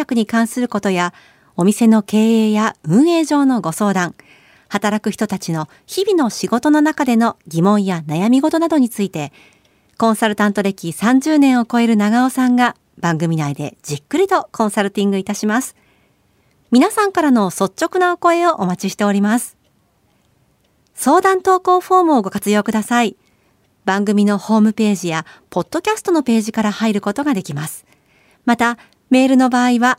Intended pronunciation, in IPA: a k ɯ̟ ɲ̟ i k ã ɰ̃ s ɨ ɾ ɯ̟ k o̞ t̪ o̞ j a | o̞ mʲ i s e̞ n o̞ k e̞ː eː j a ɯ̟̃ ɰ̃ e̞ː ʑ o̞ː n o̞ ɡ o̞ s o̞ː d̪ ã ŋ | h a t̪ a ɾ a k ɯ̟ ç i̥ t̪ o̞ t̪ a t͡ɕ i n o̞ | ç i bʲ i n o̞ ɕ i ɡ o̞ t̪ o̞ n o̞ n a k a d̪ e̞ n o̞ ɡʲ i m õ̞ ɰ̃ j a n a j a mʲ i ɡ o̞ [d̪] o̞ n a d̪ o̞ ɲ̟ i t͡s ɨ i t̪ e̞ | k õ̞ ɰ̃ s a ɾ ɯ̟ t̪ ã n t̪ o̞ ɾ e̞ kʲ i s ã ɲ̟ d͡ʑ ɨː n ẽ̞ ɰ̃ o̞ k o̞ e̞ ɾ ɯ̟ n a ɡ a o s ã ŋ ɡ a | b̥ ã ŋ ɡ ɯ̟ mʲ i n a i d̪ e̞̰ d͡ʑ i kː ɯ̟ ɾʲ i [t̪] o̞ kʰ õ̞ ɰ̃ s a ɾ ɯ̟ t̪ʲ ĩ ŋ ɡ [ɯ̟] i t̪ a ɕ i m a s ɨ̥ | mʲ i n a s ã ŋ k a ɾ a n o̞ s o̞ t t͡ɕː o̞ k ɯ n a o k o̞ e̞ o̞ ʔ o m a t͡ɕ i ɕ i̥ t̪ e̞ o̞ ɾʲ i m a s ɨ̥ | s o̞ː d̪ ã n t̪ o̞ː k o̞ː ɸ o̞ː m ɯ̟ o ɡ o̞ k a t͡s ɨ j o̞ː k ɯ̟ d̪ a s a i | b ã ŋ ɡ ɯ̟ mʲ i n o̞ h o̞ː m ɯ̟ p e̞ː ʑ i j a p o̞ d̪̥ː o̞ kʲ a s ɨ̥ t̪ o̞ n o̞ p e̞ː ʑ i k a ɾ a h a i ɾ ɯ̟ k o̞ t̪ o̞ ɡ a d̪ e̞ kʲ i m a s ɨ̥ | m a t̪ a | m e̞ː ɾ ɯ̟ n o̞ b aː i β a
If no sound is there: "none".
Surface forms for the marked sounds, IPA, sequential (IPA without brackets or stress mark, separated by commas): t̪, t̪, ɯ̟